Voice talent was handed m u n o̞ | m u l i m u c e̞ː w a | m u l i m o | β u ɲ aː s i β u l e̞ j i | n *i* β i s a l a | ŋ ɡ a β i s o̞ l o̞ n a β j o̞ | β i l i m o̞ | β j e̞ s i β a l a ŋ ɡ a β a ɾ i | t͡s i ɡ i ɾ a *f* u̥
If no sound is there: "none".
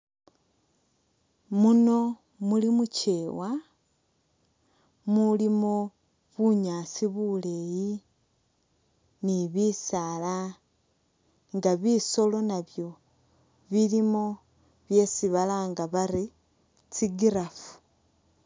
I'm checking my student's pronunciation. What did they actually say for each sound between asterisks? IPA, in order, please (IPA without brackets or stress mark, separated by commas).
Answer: i, f